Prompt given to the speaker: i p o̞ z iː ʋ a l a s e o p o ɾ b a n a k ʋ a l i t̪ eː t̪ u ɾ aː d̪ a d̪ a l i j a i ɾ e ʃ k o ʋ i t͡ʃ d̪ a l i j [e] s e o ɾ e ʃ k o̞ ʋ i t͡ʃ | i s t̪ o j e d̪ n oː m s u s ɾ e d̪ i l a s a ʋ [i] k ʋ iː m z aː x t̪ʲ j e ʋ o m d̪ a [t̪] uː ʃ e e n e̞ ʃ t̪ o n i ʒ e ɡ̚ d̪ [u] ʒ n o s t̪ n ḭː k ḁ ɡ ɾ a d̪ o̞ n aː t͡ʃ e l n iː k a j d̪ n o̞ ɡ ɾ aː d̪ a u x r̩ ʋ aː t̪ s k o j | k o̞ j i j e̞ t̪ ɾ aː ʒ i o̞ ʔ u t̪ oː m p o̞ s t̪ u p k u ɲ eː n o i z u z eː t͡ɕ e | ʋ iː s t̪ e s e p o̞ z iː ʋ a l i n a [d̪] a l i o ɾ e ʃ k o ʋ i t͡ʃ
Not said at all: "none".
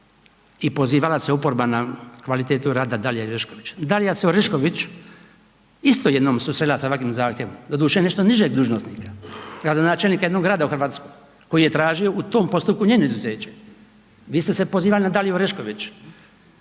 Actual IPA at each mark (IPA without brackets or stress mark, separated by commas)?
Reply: a, a, d̪, uː, d̪